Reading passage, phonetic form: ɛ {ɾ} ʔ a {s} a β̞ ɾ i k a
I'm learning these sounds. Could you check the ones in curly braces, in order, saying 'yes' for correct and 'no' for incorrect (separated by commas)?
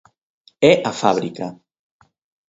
no, no